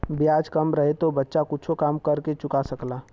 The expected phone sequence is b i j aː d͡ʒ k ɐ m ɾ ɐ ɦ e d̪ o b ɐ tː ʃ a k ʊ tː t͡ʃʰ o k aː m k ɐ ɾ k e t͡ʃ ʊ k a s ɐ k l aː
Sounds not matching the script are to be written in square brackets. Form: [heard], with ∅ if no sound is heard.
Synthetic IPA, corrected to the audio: b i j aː d͡ʒ k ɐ m ɾ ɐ ɦ e [t̪] o b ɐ tː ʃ a k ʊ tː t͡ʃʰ o k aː m k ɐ ɾ k e t͡ʃ ʊ k a s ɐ k l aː